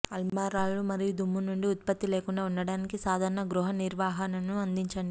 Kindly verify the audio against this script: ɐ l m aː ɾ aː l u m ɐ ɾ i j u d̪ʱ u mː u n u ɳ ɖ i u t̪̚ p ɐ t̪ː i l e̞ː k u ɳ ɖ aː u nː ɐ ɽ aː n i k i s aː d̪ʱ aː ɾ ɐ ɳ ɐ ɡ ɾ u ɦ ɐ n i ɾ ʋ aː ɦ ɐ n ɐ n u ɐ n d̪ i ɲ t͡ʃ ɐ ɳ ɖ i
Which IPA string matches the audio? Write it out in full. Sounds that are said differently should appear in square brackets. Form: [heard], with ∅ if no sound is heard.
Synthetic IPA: ɐ l m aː ɾ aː l u m ɐ ɾ i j u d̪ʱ u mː u n u ɳ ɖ i u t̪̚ p ɐ t̪ː i l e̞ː k u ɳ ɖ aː u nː ɐ ɽ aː n i k i s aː d̪ʱ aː ɾ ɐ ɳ ɐ ɡ ɾ u ɦ ɐ n i ɾ ʋ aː ɦ ɐ n ɐ n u ɐ n d̪ i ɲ t͡ʃ ɐ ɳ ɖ i

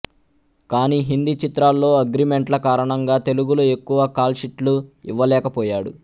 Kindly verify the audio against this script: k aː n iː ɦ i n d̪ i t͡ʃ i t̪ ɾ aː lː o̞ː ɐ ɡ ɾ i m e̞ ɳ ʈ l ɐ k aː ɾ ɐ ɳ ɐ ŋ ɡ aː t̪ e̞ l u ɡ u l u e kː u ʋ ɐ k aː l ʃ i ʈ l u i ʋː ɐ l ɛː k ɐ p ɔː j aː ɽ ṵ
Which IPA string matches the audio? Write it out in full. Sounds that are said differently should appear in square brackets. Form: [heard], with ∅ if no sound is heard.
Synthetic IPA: k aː n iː ɦ i n d̪ i t͡ʃ i t̪ ɾ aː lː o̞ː ɐ ɡ ɾ i m e̞ ɳ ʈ l ɐ k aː ɾ ɐ ɳ ɐ ŋ ɡ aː t̪ e̞ l u ɡ u l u e kː u ʋ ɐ k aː l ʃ i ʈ l u i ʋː ɐ l ɛː k ɐ p ɔː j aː ɽ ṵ

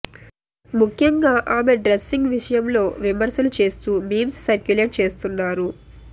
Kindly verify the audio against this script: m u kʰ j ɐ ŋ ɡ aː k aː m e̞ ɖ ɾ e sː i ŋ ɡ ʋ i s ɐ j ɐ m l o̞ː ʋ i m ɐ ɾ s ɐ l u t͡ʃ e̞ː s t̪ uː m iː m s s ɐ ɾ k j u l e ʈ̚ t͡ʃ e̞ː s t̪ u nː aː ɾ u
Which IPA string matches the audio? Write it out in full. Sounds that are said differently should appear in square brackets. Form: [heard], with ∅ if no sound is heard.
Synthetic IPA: m u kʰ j ɐ ŋ ɡ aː [ʔ] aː m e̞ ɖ ɾ e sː i ŋ ɡ ʋ i [ʂ] ɐ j ɐ m l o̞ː ʋ i m ɐ ɾ s ɐ l u t͡ʃ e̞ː s t̪ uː m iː m s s ɐ ɾ k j u l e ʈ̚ t͡ʃ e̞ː s t̪ u nː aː ɾ u

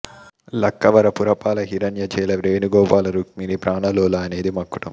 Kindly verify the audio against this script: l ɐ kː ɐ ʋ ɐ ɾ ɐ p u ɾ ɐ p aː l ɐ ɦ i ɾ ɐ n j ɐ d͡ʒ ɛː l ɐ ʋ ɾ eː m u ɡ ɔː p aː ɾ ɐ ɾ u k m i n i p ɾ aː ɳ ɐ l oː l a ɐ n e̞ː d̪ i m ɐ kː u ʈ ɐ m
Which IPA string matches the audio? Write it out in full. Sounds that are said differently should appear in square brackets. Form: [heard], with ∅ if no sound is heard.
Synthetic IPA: l ɐ kː ɐ ʋ ɐ ɾ ɐ p u ɾ ɐ p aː l ɐ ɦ i ɾ ɐ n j ɐ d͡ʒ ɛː l ɐ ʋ ɾ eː [n] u ɡ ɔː p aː [l] ɐ ɾ u k m i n i p ɾ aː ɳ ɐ l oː l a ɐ n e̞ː d̪ i m ɐ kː u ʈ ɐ m

